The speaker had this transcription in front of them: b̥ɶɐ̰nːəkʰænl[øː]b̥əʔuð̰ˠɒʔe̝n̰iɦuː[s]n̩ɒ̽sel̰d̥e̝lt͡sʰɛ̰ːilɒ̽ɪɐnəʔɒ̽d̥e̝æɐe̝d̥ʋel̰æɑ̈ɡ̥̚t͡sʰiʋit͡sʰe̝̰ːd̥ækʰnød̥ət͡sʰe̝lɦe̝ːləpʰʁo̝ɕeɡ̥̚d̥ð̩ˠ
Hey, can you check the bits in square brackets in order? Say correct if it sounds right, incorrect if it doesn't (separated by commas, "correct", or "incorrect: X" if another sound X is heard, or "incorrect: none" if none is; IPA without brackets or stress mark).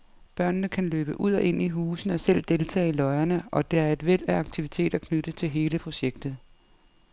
correct, correct